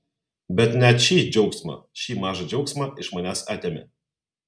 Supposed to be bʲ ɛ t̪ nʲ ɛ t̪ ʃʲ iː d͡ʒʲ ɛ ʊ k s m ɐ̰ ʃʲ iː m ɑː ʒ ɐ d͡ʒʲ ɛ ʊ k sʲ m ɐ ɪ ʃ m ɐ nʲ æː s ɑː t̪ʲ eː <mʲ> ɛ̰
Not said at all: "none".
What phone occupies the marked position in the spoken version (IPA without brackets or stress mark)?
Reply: mʲ